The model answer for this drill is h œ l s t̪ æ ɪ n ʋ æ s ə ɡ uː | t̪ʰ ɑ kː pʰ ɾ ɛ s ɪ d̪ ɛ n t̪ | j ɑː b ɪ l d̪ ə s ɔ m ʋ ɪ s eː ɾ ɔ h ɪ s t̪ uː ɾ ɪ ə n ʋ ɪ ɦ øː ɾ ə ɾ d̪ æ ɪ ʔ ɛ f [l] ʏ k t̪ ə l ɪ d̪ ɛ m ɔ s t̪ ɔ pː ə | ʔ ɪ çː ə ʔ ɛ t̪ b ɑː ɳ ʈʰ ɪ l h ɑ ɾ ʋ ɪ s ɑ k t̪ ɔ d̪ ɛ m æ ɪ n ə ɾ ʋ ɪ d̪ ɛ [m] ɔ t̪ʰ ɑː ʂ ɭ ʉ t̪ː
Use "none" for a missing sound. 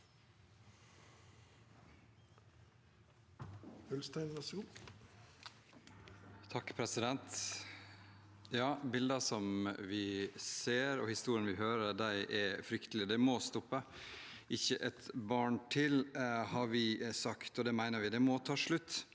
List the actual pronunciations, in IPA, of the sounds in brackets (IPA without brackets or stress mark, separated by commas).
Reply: ɾ, m